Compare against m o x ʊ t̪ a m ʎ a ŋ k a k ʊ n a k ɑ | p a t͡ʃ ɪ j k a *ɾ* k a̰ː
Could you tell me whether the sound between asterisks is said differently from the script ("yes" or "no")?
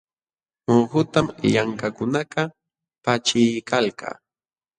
yes